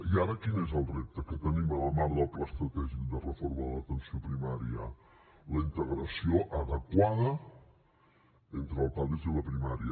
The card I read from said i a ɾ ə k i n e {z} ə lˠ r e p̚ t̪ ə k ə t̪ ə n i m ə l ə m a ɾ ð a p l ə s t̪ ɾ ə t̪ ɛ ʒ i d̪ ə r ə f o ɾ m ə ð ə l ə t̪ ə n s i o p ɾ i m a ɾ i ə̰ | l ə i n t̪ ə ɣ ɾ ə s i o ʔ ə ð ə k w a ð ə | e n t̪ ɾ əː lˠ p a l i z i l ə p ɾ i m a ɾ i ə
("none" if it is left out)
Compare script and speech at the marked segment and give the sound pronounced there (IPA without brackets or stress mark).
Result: z